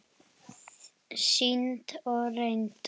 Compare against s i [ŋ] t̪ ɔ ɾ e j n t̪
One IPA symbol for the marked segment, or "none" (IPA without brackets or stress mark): n